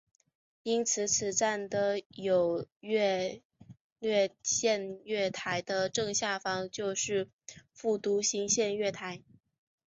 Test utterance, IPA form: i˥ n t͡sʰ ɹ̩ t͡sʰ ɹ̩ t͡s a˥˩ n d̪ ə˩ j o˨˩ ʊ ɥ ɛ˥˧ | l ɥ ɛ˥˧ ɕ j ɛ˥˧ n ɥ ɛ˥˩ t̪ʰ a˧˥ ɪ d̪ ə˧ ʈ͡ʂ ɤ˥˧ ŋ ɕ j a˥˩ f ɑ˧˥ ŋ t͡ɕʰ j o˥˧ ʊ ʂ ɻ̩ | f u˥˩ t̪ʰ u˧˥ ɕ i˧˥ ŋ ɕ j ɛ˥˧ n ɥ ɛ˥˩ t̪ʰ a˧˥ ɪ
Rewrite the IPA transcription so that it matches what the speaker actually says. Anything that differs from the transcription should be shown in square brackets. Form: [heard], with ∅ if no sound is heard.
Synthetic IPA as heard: i˥ n t͡sʰ ɹ̩ t͡sʰ ɹ̩ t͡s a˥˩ n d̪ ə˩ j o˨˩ ʊ ɥ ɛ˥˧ | l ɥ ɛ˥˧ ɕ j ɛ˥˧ n ɥ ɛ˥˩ t̪ʰ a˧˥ ɪ d̪ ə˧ ʈ͡ʂ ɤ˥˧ ŋ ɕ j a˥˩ f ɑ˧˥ ŋ [t͡ɕ] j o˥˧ ʊ ʂ ɻ̩ | f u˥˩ [t̪] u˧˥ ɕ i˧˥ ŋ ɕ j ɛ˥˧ n ɥ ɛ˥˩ t̪ʰ a˧˥ ɪ

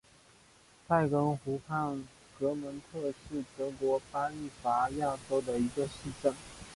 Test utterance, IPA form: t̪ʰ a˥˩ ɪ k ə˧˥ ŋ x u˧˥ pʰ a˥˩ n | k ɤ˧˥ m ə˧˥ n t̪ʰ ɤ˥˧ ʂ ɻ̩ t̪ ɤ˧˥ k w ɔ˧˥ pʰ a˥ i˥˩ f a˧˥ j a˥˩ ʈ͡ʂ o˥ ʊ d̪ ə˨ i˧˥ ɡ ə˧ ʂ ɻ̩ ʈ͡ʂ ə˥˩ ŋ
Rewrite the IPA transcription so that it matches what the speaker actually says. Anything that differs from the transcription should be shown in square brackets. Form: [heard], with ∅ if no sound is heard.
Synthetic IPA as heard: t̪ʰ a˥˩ ɪ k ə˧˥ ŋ x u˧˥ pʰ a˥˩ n | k ɤ˧˥ m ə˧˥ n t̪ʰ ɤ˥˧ ʂ ɻ̩ t̪ ɤ˧˥ k w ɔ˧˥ [p] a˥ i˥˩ f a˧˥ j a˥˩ ʈ͡ʂ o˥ ʊ d̪ ə˨ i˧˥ ɡ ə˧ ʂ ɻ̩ ʈ͡ʂ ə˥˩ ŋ

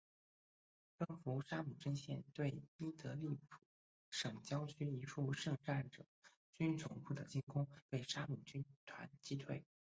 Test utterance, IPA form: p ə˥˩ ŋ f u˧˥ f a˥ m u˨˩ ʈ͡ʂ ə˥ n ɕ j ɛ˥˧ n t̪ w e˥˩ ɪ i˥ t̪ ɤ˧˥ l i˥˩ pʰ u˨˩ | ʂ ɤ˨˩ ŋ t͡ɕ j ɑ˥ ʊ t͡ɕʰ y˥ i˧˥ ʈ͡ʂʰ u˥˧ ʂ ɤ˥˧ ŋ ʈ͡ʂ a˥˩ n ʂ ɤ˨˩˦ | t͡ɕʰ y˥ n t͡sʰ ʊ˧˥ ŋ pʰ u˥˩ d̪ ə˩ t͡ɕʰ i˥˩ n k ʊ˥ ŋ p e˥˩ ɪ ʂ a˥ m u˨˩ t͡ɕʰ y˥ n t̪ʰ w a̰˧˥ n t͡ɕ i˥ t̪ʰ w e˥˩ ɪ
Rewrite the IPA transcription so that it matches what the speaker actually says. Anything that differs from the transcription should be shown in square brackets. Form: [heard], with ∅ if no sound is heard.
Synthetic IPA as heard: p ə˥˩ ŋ f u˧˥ [ʂ] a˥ m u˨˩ ʈ͡ʂ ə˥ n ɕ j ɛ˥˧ n t̪ w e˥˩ ɪ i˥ t̪ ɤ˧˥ l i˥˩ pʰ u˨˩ | ʂ ɤ˨˩ ŋ t͡ɕ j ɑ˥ ʊ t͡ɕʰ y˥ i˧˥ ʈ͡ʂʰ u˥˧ ʂ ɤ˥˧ ŋ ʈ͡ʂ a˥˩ n [ʈ͡ʂ] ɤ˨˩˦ | [t͡ɕ] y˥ n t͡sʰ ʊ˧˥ ŋ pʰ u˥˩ d̪ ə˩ [t͡ɕ] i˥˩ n k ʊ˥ ŋ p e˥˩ ɪ ʂ a˥ m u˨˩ [t͡ɕ] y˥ n t̪ʰ w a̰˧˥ n t͡ɕ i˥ t̪ʰ w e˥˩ ɪ

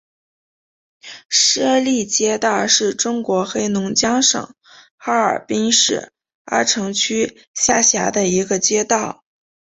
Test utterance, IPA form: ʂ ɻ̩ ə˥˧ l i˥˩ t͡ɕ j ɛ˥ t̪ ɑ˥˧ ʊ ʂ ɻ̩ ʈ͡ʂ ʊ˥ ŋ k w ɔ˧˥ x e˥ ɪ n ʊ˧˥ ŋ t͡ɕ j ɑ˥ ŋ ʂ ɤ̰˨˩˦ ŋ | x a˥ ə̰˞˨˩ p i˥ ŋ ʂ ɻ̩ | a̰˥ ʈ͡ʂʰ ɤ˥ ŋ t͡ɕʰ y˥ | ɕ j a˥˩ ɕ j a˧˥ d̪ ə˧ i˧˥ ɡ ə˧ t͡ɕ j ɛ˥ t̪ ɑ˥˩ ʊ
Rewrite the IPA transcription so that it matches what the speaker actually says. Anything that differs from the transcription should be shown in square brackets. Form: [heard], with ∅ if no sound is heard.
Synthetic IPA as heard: ʂ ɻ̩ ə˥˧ l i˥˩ t͡ɕ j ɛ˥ t̪ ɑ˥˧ ʊ ʂ ɻ̩ ʈ͡ʂ ʊ˥ ŋ k w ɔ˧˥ x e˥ ɪ n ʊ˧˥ ŋ t͡ɕ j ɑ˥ ŋ ʂ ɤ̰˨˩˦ ŋ | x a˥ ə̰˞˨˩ p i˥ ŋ ʂ ɻ̩ | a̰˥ ʈ͡ʂʰ [ɤ˧˥] ŋ t͡ɕʰ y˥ | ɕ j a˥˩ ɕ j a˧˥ d̪ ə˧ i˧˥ ɡ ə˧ t͡ɕ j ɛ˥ t̪ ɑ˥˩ ʊ

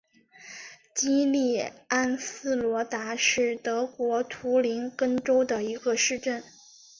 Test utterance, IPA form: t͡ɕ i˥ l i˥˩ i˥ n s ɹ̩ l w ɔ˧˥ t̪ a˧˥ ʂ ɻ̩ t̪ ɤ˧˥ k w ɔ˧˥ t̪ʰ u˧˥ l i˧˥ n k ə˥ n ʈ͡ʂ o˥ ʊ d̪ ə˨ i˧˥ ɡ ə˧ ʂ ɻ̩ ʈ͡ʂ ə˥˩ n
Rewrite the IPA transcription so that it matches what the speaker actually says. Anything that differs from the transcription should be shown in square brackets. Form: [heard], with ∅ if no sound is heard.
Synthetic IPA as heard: t͡ɕ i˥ l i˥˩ [a˥] n s ɹ̩ l w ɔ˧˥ t̪ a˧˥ ʂ ɻ̩ t̪ ɤ˧˥ k w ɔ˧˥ t̪ʰ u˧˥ l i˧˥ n k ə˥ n ʈ͡ʂ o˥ ʊ d̪ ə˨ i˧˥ ɡ ə˧ ʂ ɻ̩ ʈ͡ʂ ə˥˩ n

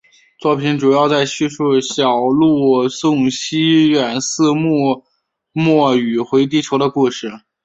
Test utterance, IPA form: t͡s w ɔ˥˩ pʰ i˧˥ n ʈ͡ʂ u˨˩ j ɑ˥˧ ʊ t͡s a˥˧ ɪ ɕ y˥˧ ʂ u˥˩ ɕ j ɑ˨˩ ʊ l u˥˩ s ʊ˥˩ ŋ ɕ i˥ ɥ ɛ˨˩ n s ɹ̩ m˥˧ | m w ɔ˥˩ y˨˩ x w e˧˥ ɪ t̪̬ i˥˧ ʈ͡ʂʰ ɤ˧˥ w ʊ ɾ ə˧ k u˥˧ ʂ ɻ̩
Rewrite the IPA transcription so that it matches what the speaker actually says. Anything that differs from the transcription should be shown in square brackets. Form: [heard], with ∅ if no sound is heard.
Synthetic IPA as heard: t͡s w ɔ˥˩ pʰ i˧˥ n ʈ͡ʂ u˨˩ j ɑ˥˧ ʊ t͡s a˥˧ ɪ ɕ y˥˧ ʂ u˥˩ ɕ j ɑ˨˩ ʊ l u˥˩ s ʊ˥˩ ŋ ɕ i˥ ɥ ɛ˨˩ n s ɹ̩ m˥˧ | m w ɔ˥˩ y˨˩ x w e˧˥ ɪ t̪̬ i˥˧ ʈ͡ʂʰ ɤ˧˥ [∅] ʊ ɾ ə˧ k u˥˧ ʂ ɻ̩

